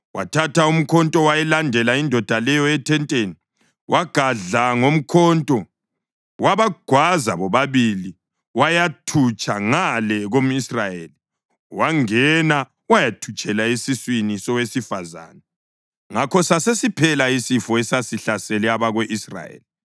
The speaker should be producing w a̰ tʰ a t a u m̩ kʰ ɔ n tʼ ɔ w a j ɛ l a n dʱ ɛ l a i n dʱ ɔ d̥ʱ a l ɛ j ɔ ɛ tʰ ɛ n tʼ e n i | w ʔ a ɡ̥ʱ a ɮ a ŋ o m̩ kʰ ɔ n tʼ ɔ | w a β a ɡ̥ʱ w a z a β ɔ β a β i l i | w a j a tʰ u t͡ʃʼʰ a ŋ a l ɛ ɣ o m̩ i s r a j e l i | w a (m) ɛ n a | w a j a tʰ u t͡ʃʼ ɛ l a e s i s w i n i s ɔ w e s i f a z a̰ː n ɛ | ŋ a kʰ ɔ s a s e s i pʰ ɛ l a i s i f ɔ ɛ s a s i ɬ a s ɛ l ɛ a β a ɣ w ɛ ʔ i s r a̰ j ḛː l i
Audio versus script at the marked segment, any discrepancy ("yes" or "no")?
yes